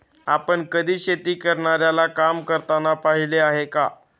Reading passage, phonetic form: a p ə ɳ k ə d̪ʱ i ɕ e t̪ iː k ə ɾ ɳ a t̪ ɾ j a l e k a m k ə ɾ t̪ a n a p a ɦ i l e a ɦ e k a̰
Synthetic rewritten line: a p ə ɳ k ə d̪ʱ iː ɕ e t̪ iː k ə ɾ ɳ a ɾ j a l a k a m k ə ɾ t̪ a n a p a ɦ i l e a ɦ e k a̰

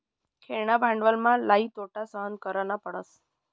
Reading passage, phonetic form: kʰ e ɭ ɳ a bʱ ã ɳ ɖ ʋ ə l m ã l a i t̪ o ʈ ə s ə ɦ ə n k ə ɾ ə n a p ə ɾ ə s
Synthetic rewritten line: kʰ e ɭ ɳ a bʱ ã ɳ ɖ ʋ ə l m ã l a i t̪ o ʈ a s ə ɦ ə n k ə ɾ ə n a p ə ɽ ə s

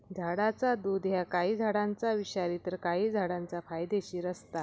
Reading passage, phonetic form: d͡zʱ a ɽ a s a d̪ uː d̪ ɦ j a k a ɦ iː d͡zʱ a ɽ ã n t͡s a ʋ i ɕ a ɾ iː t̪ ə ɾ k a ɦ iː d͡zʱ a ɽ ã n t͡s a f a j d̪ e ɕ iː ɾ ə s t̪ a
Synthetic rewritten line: d͡zʱ a ɽ a t͡s a d̪ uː d̪ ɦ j a k a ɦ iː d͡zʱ a ɽ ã n t͡s a ʋ i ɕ a ɾ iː t̪ ə ɾ k a ɦ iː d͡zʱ a ɽ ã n t͡s a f a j d̪ e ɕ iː ɾ ə s t̪ a

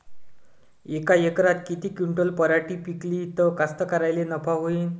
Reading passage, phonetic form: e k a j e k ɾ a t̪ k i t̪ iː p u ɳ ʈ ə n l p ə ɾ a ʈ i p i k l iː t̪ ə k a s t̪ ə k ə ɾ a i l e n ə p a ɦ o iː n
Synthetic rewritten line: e k a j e k ɾ a t̪ k i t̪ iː k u ɳ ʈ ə l p ə ɾ a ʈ i p i k l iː t̪ ə k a s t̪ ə k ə ɾ a j l e n ə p a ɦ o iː n

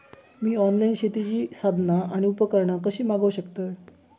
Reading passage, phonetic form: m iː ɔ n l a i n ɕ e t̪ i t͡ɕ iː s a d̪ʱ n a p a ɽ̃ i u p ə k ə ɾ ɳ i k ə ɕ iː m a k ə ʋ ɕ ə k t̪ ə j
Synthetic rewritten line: m iː ɔ n l a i n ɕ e t̪ i t͡ɕ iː s a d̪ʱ n a a ɽ̃ i u p ə k ə ɾ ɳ a k ə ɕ iː m a ɡ ə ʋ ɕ ə k t̪ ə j

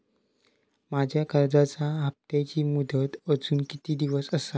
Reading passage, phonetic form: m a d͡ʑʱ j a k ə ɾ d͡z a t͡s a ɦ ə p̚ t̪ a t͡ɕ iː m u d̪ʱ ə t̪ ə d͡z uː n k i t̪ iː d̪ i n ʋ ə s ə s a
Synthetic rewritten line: m a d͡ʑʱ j a k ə ɾ d͡z a t͡s a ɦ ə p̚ t̪ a t͡ɕ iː m u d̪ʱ ə t̪ ə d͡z uː n k i t̪ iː d̪ i ʋ ə s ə s a

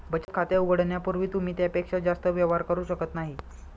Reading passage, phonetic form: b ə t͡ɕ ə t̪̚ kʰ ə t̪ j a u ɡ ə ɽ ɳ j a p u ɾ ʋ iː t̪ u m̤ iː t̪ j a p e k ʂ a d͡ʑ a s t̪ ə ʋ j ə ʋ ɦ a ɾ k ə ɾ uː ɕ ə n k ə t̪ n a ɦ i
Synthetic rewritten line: b ə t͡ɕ ə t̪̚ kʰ a t̪ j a u ɡ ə ɽ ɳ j a p u ɾ ʋ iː t̪ u m̤ iː t̪ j a p e k ʂ a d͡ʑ a s t̪ ə ʋ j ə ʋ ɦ a ɾ k ə ɾ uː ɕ ə k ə t̪ n a ɦ i

